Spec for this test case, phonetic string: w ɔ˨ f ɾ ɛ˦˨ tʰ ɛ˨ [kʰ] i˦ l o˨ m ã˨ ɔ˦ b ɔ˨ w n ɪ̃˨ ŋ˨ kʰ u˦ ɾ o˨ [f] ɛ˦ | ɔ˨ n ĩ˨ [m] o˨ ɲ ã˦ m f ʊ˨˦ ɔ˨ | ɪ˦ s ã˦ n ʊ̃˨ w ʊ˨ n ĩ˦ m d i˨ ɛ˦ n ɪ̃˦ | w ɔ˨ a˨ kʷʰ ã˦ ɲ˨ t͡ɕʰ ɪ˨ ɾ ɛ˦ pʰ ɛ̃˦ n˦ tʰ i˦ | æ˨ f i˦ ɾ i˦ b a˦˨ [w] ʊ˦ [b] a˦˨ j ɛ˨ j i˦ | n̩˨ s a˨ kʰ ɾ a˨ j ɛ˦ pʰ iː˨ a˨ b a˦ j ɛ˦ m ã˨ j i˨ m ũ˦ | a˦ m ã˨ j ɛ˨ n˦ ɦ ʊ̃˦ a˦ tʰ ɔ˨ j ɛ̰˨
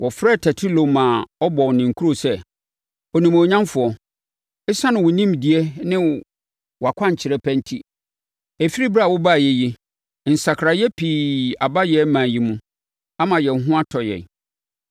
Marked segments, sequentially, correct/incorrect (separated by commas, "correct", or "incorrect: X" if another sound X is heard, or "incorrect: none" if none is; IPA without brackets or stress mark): incorrect: tʰ, incorrect: s, correct, correct, correct